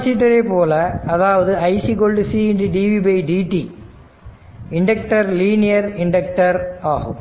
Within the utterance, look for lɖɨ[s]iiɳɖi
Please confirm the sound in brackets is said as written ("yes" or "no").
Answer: yes